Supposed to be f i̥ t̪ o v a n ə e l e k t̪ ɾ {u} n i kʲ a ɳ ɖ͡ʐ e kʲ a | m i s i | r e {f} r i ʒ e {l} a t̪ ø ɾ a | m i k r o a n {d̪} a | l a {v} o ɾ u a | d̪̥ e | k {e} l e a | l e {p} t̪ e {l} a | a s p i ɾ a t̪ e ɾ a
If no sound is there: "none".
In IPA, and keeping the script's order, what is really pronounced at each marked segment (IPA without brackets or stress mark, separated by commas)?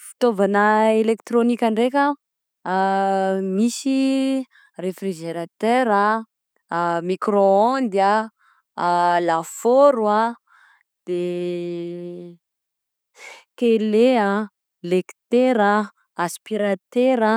o, f, ɾ, d̪, f, e, k, ɾ